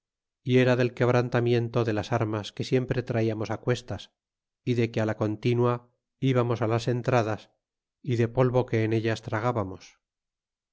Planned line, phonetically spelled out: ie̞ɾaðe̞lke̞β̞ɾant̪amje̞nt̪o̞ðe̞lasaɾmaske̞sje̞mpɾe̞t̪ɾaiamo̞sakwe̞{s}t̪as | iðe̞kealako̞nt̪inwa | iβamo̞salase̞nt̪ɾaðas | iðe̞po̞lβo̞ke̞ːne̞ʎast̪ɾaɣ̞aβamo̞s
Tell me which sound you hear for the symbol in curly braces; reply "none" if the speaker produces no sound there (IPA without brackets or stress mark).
s